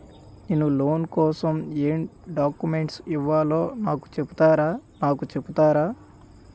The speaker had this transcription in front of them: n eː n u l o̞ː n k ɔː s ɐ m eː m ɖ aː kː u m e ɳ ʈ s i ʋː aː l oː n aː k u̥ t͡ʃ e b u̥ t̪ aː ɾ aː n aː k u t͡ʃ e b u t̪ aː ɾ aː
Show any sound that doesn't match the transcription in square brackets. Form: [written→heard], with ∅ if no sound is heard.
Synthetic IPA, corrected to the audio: n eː n u l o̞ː n k ɔː s ɐ m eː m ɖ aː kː u m e ɳ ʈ s i ʋː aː l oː n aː k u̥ t͡ʃ e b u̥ t̪ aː ɾ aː n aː k u t͡ʃ e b u t̪ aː ɾ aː